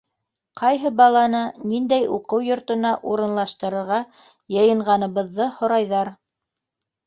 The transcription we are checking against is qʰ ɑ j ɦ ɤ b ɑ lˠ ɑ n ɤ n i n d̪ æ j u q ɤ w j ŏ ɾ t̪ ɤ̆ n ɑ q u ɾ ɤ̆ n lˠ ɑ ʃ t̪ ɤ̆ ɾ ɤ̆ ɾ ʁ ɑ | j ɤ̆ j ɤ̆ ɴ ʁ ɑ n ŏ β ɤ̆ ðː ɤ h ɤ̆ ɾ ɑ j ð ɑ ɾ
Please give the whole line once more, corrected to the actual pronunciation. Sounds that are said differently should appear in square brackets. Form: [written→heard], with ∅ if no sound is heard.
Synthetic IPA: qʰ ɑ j ɦ ɤ b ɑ lˠ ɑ n ɤ n i n d̪ æ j u q ɤ w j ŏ ɾ t̪ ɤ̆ n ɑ [q→ʔ] u ɾ ɤ̆ n lˠ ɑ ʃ t̪ ɤ̆ ɾ ɤ̆ ɾ ʁ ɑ | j ɤ̆ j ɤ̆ ɴ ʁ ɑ n [ŏ→ɤ̆] β ɤ̆ ðː ɤ h [ɤ̆→ŏ] ɾ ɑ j ð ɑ ɾ